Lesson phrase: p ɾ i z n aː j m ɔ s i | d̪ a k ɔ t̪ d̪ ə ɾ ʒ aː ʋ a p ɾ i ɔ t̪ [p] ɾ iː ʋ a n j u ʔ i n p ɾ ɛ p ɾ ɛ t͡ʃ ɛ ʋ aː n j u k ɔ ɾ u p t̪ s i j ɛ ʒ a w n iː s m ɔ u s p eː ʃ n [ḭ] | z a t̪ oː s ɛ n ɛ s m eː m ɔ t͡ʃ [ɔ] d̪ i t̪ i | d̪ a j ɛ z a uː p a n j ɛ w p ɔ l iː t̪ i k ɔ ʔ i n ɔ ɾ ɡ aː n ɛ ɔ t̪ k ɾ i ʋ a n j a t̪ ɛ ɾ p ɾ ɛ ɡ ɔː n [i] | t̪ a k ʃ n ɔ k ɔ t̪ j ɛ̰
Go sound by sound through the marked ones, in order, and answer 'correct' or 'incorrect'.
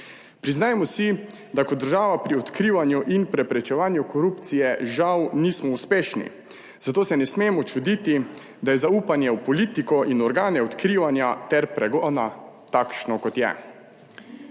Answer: incorrect, correct, incorrect, incorrect

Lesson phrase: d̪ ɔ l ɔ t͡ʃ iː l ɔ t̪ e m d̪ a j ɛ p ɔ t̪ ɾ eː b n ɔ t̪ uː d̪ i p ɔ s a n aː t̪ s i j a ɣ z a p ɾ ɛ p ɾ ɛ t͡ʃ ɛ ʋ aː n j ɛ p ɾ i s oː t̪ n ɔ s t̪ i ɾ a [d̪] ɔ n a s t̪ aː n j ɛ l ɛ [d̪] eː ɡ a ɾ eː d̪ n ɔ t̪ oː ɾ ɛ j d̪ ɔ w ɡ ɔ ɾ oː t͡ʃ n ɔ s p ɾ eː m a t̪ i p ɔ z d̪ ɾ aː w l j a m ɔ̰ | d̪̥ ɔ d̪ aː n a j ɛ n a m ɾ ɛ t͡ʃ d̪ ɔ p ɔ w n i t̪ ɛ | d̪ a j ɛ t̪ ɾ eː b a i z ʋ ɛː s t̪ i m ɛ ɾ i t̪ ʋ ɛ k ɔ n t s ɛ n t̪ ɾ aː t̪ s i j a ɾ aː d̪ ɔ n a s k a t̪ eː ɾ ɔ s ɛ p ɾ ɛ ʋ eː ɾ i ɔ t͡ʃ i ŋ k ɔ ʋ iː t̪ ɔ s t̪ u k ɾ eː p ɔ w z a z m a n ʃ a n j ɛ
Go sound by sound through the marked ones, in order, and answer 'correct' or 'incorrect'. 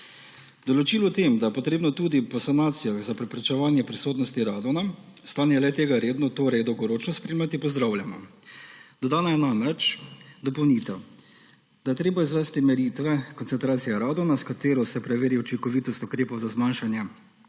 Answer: correct, incorrect

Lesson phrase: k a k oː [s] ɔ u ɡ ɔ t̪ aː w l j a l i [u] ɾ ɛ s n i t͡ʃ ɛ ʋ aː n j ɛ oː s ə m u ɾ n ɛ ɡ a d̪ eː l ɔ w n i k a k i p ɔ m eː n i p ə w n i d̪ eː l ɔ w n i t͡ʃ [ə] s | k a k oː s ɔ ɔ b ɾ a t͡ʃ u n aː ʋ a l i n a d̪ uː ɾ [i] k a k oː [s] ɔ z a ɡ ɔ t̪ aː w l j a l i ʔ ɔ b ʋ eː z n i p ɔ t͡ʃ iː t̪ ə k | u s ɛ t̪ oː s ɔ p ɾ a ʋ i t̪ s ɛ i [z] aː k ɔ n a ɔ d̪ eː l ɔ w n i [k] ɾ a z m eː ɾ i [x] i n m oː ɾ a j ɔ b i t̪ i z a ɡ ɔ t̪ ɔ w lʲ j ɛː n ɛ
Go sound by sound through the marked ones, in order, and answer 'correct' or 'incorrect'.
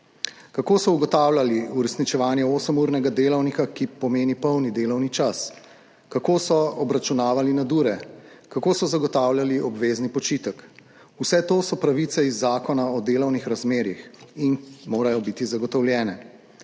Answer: correct, correct, incorrect, incorrect, correct, incorrect, incorrect, correct

